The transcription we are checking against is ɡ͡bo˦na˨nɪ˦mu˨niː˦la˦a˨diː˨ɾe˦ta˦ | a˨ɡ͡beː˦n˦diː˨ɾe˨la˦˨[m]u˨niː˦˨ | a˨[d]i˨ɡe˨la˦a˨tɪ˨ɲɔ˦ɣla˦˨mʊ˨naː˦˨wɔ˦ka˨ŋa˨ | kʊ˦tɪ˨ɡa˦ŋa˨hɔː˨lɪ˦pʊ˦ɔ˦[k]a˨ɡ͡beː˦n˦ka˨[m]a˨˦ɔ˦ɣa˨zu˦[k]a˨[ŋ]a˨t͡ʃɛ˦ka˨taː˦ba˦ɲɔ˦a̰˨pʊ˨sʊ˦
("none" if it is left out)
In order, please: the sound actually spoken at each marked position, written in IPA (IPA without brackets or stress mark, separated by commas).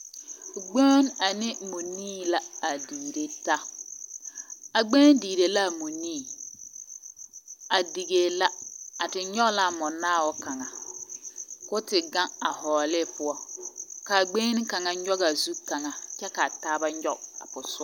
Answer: m, d, k, ŋ, k, ŋ